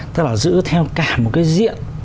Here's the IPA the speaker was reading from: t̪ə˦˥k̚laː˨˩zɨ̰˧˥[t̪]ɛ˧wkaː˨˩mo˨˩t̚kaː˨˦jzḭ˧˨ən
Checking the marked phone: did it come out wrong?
yes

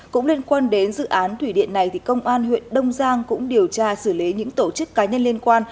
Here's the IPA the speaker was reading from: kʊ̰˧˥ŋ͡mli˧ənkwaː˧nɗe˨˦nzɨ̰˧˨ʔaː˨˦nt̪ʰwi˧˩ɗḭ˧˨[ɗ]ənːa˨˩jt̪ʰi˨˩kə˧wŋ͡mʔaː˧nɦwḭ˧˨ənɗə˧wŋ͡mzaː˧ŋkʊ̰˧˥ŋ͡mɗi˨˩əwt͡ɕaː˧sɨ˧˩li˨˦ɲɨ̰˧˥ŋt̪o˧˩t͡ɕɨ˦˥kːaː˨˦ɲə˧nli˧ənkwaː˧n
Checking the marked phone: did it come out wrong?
yes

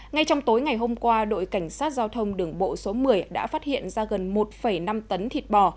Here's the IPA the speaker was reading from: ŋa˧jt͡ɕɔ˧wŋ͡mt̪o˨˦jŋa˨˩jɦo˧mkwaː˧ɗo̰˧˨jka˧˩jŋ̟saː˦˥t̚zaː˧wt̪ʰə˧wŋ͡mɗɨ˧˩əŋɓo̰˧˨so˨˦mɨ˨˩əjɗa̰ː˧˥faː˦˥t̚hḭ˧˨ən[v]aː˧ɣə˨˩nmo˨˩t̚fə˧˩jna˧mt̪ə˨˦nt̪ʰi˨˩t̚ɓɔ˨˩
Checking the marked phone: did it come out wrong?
yes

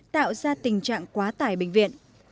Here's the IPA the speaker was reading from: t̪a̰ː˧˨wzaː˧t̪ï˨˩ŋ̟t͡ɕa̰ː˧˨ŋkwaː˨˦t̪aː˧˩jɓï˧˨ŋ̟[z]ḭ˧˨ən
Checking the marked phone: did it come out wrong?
yes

